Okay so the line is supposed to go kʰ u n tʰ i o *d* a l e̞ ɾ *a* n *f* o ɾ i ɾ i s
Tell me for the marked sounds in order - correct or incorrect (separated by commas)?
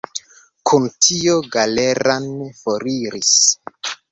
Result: incorrect, correct, correct